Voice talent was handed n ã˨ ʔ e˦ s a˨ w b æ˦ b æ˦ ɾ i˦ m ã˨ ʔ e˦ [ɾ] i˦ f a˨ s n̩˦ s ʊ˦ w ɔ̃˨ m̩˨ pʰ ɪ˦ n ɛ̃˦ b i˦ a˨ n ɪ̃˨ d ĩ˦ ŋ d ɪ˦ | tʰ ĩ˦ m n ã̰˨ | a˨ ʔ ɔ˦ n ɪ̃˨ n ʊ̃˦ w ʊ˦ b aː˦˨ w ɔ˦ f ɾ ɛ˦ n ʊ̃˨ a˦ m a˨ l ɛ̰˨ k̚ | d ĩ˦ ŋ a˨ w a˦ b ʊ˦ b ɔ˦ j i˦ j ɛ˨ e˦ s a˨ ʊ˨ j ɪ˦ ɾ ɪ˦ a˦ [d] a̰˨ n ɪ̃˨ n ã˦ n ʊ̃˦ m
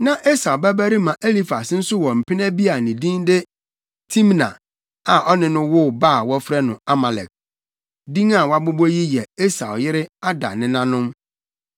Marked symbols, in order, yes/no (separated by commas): no, yes